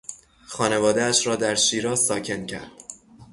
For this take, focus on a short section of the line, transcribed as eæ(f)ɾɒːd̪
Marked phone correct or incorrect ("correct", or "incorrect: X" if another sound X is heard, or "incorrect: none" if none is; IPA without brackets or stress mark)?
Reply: incorrect: ʃ